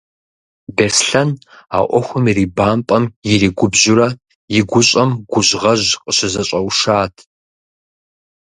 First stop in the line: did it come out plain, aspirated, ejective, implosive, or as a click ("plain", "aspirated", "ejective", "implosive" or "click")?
plain